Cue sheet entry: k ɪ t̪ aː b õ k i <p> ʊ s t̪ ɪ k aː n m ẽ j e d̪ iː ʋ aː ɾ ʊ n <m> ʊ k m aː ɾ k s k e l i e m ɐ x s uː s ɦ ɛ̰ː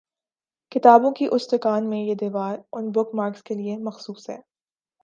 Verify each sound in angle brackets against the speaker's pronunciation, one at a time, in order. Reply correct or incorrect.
incorrect: ʔ, incorrect: b

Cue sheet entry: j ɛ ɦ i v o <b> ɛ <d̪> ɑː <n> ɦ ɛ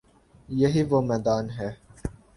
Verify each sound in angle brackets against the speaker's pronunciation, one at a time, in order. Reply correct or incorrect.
incorrect: m, correct, correct

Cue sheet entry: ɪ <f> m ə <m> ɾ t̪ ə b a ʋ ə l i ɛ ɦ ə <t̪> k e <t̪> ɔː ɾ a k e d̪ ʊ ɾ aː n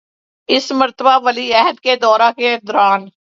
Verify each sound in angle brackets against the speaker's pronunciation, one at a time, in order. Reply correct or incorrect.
incorrect: s, incorrect: none, incorrect: d̪, incorrect: d̪

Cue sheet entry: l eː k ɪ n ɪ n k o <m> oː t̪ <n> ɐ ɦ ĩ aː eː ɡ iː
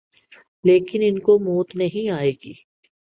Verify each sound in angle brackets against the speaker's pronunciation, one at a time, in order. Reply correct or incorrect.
correct, correct

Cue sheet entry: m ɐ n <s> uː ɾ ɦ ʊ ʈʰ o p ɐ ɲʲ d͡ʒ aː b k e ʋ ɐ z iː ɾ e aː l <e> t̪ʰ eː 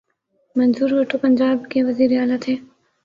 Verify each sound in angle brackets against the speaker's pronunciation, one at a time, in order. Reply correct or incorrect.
incorrect: z, incorrect: a

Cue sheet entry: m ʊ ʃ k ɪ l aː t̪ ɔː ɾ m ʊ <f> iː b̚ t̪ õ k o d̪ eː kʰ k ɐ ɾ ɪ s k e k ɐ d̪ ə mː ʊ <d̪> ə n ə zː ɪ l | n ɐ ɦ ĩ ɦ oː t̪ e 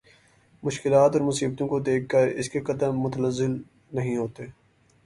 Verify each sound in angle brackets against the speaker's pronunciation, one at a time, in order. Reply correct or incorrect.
incorrect: s, incorrect: t̪

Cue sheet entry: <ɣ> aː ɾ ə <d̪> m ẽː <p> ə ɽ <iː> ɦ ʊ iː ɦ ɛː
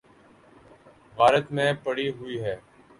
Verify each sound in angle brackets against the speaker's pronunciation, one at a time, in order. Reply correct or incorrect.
correct, incorrect: t̪, correct, correct

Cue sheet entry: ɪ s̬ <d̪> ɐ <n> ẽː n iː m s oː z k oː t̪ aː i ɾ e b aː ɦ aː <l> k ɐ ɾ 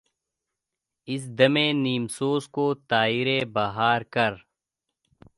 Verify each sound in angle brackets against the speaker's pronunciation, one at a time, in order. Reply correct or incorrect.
correct, incorrect: m, incorrect: ɾ

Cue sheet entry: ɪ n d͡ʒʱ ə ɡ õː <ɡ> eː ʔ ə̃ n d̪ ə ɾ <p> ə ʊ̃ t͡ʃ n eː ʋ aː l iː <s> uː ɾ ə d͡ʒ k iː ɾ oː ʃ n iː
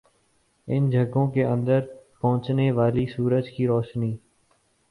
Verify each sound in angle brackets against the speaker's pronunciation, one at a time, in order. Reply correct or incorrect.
incorrect: k, correct, correct

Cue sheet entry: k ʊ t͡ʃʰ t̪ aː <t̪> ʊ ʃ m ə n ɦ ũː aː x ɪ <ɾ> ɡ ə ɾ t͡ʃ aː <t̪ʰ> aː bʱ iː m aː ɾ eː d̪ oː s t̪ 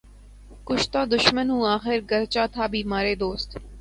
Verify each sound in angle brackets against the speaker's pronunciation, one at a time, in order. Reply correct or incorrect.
incorrect: d̪, correct, correct

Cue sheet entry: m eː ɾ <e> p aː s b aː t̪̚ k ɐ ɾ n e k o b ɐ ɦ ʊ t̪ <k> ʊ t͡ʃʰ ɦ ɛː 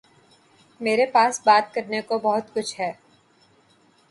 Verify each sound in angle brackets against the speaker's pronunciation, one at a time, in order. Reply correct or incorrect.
correct, correct

